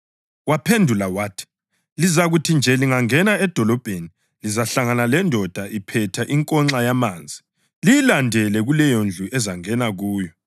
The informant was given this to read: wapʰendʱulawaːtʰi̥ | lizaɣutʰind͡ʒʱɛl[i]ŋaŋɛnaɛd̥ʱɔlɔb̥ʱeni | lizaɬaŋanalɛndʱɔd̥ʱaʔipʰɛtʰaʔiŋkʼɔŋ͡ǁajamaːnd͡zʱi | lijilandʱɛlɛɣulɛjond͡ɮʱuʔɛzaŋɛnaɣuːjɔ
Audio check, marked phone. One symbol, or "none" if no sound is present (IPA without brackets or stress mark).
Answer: i